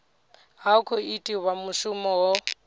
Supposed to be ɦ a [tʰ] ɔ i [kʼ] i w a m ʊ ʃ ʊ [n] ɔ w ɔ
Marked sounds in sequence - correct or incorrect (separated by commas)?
incorrect, incorrect, incorrect